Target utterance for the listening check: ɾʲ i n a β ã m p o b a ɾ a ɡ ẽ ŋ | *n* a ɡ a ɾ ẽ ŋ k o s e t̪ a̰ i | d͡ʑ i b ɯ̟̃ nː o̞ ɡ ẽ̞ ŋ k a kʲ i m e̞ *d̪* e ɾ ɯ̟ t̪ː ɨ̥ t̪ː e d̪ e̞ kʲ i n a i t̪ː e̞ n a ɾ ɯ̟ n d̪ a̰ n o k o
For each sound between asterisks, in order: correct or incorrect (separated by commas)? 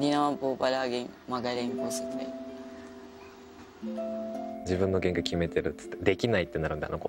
incorrect, incorrect